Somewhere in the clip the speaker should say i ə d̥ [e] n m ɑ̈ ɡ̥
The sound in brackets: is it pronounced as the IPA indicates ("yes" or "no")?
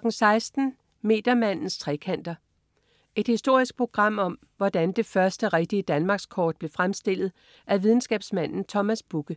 no